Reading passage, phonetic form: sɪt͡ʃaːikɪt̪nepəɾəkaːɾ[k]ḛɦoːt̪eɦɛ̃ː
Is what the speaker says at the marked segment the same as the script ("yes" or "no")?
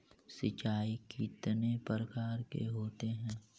yes